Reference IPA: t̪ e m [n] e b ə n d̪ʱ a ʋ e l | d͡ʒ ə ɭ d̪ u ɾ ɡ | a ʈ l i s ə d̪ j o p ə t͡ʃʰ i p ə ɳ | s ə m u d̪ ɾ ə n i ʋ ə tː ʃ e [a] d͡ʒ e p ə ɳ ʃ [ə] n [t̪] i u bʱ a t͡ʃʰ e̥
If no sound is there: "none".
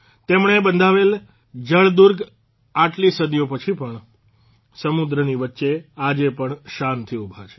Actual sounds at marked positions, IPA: ɳ, a, a, t̪ʰ

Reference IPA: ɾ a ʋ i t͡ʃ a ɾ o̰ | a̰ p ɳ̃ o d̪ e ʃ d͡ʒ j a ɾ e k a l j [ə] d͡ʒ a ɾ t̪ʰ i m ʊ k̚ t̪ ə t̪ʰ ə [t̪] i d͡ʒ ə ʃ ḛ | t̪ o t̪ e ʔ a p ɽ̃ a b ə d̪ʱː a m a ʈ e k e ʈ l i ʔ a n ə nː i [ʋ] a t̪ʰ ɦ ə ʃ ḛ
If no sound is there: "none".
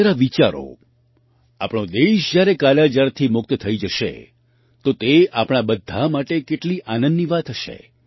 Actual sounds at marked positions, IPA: a, none, ʋ

